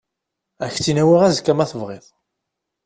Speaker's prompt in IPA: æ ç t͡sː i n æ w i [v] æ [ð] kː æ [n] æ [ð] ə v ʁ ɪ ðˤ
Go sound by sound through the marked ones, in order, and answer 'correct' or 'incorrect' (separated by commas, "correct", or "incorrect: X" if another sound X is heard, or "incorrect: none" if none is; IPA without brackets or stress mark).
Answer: incorrect: ʁ, incorrect: z, incorrect: m, incorrect: θ